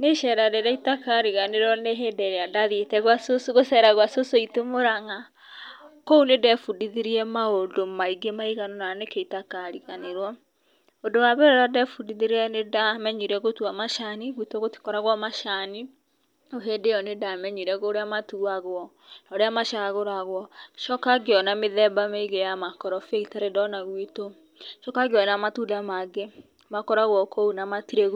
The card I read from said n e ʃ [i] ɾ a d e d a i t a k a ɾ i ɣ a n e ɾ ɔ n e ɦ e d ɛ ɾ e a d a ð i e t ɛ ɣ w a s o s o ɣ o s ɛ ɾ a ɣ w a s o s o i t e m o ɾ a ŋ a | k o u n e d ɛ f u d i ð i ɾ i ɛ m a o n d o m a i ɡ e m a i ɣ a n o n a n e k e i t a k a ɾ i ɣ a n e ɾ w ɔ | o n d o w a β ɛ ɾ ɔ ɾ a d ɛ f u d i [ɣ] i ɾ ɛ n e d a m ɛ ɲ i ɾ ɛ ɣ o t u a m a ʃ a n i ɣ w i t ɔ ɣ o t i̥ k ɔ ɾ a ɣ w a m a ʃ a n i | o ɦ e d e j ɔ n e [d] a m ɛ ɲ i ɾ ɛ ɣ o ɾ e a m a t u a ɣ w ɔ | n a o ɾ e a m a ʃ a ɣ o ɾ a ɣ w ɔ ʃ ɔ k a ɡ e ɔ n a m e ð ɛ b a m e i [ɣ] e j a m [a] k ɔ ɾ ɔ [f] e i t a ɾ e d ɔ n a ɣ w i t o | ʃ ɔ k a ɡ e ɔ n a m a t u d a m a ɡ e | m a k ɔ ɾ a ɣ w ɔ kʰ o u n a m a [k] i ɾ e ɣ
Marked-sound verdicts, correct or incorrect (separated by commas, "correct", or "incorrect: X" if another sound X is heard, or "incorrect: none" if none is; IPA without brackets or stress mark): incorrect: ɛ, incorrect: ð, correct, correct, correct, correct, incorrect: t